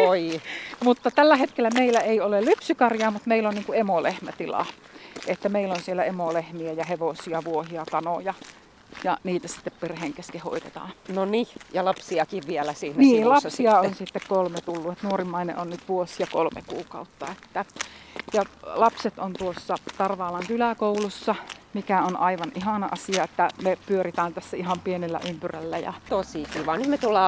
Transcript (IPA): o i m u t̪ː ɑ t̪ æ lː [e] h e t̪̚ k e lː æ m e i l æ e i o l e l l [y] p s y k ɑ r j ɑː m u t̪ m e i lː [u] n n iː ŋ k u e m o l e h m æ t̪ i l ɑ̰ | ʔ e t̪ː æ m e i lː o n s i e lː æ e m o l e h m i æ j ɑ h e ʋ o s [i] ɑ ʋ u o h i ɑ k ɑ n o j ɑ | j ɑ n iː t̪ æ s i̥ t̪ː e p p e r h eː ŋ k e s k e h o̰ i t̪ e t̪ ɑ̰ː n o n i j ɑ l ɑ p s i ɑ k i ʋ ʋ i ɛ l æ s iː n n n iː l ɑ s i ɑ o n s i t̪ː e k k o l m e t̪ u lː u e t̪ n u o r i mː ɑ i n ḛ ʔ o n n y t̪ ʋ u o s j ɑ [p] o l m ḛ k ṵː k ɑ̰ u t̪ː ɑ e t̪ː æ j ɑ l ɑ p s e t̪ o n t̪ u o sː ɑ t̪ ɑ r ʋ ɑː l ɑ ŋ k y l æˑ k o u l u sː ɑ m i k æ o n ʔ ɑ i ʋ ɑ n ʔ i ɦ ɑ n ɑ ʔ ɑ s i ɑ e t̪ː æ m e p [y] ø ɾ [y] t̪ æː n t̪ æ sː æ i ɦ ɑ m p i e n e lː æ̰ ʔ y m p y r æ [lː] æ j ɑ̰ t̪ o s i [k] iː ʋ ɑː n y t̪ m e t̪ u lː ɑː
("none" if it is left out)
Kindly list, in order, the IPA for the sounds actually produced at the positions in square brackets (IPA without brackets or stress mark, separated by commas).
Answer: æ, y, o, i, k, y, i, lː, k